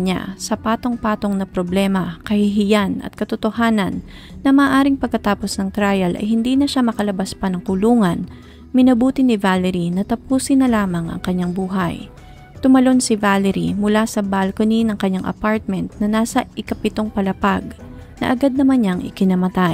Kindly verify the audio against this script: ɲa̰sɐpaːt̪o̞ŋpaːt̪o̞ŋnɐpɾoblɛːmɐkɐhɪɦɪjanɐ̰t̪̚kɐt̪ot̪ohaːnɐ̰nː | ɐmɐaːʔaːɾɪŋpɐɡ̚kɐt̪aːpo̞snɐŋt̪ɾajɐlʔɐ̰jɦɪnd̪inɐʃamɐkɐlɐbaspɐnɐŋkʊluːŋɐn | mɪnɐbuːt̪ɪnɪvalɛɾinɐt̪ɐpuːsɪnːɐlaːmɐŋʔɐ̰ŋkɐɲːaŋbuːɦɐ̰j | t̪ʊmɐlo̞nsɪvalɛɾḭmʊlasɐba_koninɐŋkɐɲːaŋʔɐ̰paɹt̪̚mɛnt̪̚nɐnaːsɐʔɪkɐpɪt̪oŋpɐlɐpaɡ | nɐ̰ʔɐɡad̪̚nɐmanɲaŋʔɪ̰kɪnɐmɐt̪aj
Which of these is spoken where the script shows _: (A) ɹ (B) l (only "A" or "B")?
B